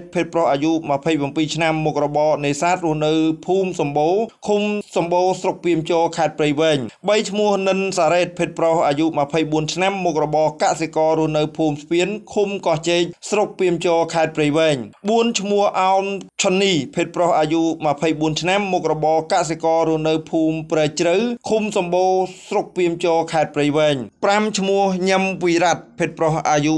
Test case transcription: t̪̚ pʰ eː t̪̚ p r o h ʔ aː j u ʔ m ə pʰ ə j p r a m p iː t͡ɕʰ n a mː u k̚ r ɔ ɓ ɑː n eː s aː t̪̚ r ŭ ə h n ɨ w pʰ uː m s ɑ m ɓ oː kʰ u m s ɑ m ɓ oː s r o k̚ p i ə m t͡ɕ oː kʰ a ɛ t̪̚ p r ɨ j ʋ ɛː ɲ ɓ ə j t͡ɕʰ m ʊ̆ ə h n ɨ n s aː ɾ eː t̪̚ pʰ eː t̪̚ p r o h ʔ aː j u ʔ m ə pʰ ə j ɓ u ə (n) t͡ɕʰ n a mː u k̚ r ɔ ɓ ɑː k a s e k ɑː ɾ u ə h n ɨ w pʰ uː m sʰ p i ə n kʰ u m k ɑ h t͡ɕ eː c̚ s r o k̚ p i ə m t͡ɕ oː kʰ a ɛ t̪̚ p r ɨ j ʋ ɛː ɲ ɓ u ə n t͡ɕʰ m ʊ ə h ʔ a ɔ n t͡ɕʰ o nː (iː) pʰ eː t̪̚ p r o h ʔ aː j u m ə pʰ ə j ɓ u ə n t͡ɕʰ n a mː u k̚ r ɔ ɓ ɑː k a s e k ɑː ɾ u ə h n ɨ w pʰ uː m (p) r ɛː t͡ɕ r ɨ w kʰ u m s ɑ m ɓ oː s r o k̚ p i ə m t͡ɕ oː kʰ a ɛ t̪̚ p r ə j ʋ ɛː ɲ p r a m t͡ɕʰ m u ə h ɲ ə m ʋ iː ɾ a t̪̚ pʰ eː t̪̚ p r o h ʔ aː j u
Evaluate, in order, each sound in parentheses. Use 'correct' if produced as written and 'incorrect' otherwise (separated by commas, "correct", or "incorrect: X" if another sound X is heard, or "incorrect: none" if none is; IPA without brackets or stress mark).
correct, correct, correct